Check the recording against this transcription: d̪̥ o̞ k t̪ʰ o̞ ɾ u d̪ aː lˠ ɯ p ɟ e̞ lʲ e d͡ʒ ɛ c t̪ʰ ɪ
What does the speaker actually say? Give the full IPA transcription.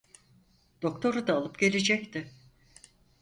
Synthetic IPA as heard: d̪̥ o̞ k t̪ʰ o̞ ɾ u d̪ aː lˠ ɯ p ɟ e̞ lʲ e d͡ʒ ɛ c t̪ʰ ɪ